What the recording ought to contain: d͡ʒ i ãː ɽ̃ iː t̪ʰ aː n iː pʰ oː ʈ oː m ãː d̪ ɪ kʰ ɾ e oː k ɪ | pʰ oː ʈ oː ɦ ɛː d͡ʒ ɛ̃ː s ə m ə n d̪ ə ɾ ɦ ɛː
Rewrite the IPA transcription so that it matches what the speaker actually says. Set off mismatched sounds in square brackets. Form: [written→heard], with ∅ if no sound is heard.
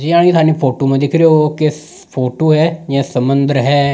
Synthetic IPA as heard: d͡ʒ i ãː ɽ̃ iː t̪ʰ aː n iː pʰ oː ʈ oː m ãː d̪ ɪ kʰ ɾ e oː k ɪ | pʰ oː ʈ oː ɦ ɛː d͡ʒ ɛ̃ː s ə m ə n d̪ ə ɾ ɦ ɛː